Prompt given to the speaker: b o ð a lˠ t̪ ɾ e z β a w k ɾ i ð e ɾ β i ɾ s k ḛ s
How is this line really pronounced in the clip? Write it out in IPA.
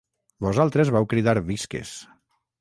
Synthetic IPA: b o z a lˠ t̪ ɾ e z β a w k ɾ i ð a ɾ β i s k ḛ s

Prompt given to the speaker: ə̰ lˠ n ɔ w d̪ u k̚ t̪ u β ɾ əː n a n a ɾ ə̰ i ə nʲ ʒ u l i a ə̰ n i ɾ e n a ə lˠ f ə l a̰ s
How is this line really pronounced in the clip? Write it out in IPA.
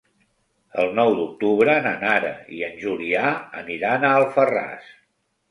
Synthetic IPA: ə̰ lˠ n ɔ w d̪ u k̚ t̪ u β ɾ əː n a n a ɾ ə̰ i ə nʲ ʒ u l i a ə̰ n i ɾ a n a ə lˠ f ə r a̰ s

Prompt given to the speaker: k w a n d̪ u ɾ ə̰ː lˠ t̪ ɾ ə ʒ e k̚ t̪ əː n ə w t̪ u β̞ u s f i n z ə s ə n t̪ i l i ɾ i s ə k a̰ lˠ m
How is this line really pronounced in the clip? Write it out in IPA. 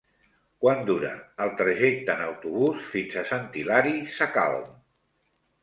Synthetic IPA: k w a n d̪ u ɾ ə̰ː lˠ t̪ ɾ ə ʒ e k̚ t̪ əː n ə w t̪ u β̞ u s f i n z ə s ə n t̪ i l a ɾ i s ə k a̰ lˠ m

